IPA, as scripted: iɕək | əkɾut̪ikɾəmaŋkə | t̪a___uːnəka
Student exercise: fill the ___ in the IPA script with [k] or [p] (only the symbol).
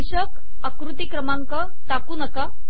k